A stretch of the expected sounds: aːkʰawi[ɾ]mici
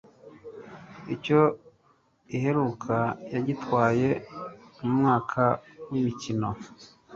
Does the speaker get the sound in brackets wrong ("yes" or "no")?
yes